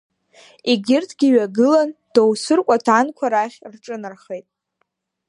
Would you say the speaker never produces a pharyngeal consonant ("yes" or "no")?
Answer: yes